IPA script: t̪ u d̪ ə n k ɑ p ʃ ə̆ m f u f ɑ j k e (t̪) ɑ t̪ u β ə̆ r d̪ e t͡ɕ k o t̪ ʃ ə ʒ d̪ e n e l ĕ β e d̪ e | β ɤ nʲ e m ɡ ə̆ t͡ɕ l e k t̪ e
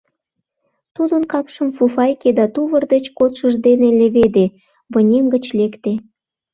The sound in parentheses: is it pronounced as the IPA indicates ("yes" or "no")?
no